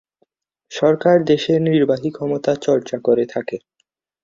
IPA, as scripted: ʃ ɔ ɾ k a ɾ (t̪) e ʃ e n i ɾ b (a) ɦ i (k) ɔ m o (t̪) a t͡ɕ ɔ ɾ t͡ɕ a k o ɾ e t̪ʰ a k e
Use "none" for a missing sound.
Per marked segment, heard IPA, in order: d̪, a, kʰ, t̪

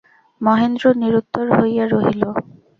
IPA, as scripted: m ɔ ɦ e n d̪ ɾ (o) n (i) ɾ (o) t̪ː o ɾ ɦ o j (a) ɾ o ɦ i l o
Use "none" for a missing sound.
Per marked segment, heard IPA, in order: o, i, u, a

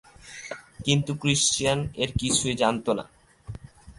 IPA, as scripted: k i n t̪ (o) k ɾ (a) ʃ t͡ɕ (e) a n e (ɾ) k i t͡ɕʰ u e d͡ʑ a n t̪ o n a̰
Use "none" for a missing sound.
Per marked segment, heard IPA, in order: u, i, i, ɾ

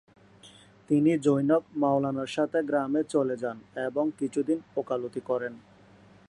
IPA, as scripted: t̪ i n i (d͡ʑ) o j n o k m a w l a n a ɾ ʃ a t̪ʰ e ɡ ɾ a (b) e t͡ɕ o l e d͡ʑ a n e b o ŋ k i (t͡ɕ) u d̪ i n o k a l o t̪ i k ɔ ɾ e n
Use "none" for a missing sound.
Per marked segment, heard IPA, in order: d͡ʑ, m, t͡ɕʰ

